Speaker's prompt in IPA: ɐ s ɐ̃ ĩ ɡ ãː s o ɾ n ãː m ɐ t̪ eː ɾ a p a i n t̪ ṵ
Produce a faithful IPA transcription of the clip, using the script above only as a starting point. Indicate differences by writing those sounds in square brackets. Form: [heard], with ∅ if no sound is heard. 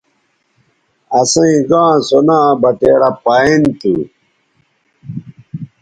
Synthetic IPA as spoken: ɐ s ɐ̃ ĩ ɡ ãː s o [∅] n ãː [b] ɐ t̪ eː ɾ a p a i n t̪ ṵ